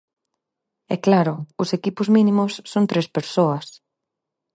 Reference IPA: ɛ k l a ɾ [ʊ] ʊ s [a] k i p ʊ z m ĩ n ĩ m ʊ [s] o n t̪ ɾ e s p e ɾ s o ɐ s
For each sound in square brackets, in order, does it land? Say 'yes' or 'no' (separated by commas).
yes, no, no